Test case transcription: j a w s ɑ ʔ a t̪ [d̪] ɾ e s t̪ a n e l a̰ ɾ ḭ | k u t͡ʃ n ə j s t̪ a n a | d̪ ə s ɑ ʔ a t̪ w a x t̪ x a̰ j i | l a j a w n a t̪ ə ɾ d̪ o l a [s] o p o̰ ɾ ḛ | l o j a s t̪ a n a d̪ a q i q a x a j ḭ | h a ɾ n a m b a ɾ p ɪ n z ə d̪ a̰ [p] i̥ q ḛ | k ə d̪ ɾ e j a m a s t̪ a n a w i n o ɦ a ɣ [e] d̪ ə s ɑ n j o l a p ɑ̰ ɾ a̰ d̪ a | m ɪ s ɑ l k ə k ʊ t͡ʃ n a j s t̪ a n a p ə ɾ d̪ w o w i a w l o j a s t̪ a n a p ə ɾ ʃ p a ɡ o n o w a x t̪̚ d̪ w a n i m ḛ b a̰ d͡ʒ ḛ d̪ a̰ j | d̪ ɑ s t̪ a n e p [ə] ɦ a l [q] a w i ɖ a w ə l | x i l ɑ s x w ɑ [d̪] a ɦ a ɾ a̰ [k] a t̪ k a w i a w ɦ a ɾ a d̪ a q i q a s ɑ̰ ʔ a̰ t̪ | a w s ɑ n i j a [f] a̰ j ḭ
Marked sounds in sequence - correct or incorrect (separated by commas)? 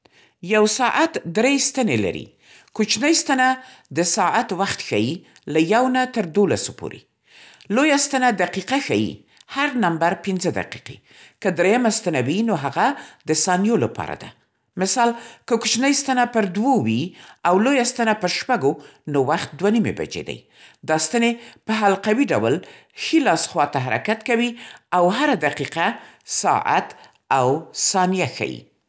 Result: correct, correct, incorrect, incorrect, correct, correct, incorrect, correct, incorrect